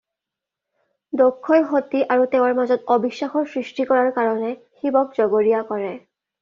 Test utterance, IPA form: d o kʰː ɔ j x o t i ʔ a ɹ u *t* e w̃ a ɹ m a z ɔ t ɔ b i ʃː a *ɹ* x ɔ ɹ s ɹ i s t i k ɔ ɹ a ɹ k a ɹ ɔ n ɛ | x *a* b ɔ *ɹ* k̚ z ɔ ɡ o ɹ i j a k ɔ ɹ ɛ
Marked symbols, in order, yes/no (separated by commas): yes, no, no, no